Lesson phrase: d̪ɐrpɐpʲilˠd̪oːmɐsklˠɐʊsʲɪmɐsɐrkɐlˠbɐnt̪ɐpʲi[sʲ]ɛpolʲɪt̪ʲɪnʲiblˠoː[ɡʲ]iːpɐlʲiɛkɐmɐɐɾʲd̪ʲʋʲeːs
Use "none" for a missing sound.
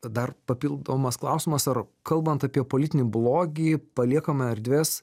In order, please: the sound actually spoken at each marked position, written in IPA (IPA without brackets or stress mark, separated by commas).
none, ɡʲ